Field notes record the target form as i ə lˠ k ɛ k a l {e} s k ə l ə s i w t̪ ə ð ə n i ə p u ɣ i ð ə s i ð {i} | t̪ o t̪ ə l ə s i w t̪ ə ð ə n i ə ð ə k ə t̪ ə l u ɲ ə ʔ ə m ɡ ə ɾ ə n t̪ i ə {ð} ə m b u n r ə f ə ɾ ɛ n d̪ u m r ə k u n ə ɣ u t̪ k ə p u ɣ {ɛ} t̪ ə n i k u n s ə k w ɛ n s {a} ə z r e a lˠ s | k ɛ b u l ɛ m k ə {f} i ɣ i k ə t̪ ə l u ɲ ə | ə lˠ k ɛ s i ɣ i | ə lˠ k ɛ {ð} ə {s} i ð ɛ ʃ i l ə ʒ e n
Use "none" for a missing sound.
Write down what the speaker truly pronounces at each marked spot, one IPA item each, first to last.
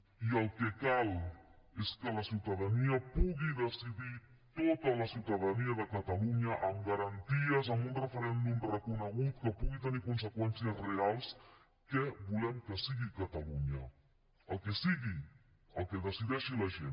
e, i, z, i, i, s, ð, s

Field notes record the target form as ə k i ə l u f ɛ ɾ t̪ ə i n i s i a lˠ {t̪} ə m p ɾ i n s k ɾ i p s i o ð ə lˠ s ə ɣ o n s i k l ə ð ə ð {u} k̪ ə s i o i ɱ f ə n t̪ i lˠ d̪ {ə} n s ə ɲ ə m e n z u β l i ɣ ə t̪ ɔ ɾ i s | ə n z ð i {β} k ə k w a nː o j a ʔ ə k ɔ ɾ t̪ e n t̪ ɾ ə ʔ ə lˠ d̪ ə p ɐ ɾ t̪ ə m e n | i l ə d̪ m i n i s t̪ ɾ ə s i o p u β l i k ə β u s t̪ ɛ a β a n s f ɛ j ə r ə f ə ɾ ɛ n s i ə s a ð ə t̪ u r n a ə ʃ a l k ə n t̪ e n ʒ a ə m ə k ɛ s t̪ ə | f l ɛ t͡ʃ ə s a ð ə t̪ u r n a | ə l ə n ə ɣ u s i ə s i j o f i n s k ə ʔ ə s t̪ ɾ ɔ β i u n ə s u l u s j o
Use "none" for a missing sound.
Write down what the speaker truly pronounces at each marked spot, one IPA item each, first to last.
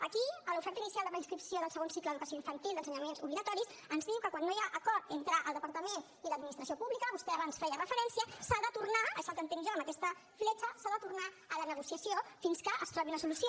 d̪, u, ə, w

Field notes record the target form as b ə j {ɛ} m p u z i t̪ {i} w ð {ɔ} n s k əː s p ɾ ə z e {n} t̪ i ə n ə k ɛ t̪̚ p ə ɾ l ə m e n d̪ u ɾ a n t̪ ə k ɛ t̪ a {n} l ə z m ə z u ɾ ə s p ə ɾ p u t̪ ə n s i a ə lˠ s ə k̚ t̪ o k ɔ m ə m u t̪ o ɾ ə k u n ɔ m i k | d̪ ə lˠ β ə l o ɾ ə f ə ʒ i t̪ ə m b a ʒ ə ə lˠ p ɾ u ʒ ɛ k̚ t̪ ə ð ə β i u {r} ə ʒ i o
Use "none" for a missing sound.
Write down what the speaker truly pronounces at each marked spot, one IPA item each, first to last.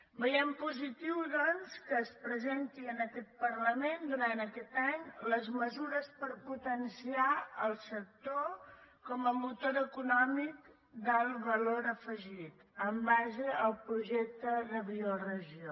ɛ, i, ɔ, n, ɲ, r

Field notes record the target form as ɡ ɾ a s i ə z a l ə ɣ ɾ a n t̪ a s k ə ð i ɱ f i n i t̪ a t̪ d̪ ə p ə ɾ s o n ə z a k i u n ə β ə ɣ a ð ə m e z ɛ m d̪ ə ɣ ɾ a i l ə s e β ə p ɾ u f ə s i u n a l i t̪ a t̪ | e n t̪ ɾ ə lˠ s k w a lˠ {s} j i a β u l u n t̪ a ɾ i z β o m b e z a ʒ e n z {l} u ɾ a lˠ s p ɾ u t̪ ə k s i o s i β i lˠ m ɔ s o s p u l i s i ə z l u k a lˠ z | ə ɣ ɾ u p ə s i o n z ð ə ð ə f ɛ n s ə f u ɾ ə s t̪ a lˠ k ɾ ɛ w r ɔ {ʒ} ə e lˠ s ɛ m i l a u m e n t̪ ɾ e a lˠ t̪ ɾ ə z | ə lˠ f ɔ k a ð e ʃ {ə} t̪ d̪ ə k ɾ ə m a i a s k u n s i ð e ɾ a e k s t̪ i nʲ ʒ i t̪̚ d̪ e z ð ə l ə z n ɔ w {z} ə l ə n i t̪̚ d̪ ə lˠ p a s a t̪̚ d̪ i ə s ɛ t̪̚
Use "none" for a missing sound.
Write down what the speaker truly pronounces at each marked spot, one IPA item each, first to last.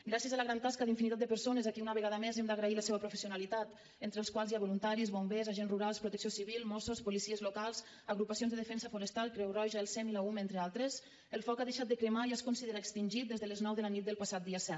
z, r, ʒ, a, ð

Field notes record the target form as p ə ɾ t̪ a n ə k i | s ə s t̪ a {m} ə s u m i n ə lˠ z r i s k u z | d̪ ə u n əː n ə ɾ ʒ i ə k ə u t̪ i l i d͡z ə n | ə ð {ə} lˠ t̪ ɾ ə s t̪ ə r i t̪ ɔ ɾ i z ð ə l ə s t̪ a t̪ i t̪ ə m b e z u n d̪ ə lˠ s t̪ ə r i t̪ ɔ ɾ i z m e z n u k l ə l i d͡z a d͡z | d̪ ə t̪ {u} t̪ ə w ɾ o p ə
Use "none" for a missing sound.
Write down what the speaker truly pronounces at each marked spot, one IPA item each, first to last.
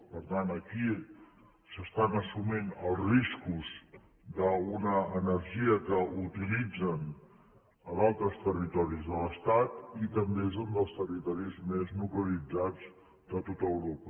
n, a, o

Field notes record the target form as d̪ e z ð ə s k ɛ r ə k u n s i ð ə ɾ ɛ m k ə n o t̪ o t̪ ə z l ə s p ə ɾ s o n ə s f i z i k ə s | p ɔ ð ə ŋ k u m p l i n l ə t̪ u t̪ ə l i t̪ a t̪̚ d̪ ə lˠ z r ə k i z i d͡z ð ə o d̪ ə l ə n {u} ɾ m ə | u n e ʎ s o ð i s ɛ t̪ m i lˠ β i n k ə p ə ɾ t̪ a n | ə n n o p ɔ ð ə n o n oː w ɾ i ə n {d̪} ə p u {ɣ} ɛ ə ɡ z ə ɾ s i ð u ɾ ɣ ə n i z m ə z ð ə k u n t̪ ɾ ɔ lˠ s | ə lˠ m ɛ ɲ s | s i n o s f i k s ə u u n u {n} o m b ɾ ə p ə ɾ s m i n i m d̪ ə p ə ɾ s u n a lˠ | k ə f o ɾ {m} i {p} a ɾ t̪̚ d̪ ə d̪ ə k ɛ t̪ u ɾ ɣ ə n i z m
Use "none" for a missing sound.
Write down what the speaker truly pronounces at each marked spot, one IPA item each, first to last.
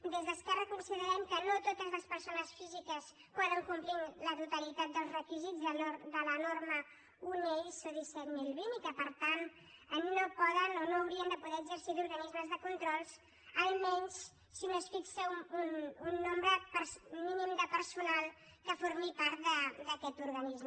o, d̪, ð, nː, m, p

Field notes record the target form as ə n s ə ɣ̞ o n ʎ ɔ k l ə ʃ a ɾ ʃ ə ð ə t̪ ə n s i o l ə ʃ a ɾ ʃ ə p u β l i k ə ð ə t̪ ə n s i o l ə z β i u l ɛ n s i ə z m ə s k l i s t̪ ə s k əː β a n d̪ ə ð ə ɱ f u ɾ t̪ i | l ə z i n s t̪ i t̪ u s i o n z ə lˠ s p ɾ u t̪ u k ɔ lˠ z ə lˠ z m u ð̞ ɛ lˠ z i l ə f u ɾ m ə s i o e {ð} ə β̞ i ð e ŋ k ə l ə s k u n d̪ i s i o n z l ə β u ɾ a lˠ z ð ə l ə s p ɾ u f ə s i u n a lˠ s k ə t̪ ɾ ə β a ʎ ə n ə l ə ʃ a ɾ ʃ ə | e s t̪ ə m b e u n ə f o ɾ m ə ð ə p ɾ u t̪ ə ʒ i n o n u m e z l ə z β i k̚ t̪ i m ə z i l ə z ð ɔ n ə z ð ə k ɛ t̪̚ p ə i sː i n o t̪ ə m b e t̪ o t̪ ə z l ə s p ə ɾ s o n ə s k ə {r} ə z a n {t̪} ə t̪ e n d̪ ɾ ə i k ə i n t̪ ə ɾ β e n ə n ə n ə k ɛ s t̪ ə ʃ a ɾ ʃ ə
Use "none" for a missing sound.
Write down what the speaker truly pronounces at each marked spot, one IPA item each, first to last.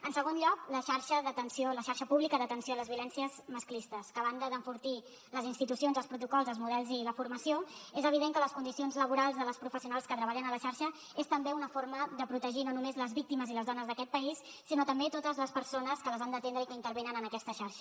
z, l, d̪

